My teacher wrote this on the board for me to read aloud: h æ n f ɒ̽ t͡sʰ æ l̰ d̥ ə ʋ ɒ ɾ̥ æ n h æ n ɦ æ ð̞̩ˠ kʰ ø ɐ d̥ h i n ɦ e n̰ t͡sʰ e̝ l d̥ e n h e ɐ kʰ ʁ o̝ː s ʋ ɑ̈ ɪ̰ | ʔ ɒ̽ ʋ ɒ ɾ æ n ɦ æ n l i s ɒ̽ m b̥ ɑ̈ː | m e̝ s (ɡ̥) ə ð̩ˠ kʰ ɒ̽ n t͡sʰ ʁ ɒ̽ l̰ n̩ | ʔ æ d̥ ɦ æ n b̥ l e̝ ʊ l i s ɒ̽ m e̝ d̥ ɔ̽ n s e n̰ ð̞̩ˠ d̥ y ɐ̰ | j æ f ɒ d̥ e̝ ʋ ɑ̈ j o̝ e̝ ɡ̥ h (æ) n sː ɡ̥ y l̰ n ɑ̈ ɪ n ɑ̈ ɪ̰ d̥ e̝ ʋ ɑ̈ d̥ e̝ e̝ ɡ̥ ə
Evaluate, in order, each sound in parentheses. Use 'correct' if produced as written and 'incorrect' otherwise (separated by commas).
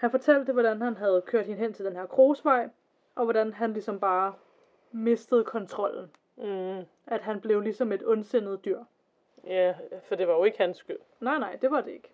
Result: incorrect, correct